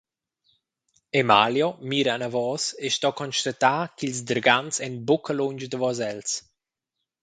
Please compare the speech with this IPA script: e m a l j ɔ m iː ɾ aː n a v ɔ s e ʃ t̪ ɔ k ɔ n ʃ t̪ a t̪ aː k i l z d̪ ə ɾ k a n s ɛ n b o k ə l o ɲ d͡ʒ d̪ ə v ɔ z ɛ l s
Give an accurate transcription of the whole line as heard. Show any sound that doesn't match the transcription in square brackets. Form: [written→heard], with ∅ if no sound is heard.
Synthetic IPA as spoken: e m a l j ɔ m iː ɾ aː n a v ɔ s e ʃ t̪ ɔ k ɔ n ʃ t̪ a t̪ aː k i l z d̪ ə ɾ [k→ɡ] a n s ɛ n b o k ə l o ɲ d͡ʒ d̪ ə v ɔ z ɛ l s